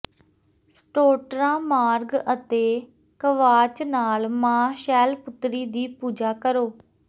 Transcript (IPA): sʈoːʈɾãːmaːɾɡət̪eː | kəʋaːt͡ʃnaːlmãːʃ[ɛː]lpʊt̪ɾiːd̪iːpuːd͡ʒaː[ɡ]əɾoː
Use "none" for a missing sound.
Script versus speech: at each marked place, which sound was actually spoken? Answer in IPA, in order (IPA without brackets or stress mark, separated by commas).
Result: ɛː, k